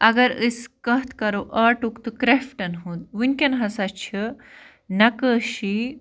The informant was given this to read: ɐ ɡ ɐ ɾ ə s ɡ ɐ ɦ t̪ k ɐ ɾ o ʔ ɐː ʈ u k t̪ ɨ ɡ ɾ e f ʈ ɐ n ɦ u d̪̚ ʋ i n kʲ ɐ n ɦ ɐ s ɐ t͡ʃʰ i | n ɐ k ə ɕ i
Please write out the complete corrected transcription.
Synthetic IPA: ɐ ɡ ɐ ɾ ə s k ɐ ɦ t̪ k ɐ ɾ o ʔ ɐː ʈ u k t̪ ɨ k ɾ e f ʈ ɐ n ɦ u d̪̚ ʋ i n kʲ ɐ n ɦ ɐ s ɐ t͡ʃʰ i | n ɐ k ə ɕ i